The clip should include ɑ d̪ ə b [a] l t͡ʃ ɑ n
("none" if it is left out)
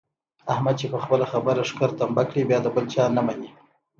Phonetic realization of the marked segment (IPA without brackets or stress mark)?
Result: ə